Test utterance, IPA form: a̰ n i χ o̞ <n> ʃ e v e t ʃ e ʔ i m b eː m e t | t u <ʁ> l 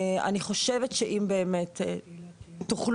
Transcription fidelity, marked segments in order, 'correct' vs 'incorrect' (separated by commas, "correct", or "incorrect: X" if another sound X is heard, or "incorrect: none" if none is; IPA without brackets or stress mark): incorrect: none, incorrect: χ